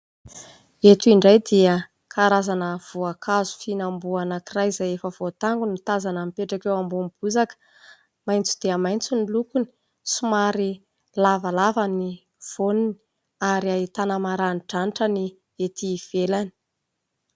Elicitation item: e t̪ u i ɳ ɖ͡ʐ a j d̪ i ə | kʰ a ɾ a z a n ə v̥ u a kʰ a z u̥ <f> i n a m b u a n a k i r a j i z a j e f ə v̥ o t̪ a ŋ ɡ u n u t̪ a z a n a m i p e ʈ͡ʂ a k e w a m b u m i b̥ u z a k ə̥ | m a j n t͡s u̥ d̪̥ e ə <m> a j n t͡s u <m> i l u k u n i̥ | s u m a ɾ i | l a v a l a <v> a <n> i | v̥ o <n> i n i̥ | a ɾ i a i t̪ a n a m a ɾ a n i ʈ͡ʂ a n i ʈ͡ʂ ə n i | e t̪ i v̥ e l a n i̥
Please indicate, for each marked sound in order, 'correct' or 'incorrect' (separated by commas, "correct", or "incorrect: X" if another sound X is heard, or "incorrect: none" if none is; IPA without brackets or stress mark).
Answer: correct, correct, incorrect: n, correct, correct, correct